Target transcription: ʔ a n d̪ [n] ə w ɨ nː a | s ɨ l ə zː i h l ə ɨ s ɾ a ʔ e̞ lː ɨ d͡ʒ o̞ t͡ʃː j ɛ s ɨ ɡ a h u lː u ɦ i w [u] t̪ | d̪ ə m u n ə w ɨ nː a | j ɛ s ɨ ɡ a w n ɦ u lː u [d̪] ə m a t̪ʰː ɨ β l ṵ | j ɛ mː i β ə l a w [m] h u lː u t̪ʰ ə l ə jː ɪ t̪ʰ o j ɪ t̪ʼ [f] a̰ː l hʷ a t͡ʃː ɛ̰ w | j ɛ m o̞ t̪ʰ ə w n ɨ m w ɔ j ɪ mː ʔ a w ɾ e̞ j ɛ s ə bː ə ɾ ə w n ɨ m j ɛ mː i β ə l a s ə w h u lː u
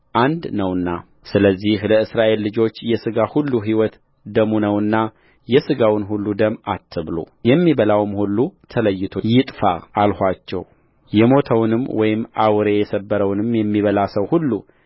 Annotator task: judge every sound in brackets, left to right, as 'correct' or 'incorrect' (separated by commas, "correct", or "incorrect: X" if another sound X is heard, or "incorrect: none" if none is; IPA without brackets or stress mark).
correct, incorrect: ɔ, correct, correct, correct